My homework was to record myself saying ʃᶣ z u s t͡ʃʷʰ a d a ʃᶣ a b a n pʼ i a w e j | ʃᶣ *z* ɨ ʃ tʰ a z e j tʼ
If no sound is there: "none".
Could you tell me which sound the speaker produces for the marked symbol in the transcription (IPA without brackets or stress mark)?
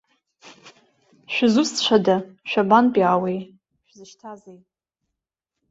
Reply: z